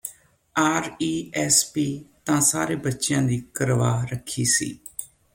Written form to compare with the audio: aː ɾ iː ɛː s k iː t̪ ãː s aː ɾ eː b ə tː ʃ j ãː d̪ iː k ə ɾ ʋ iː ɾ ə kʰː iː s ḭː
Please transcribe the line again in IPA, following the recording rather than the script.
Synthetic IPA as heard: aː ɾ iː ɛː s p iː t̪ ãː s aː ɾ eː b ə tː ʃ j ãː d̪ iː k ə ɾ ʋ aː ɾ ə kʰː iː s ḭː